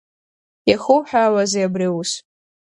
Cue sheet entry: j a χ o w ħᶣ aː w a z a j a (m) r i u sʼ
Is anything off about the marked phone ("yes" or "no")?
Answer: yes